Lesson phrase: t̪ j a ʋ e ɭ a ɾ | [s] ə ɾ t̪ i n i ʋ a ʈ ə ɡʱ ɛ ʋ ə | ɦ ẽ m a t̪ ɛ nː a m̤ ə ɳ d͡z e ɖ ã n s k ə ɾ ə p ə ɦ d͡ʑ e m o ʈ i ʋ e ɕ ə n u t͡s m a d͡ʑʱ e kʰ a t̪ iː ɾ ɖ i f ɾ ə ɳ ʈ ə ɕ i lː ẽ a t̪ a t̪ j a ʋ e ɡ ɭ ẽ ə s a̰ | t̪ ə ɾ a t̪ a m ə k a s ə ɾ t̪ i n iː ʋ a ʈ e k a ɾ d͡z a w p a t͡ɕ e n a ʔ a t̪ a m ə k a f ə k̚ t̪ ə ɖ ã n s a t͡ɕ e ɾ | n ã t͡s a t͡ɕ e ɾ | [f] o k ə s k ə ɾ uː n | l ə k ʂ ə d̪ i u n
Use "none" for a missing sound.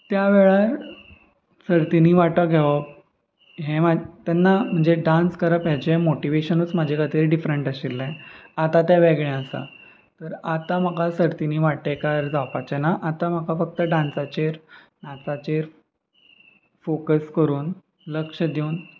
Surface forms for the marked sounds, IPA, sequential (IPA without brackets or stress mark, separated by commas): s, f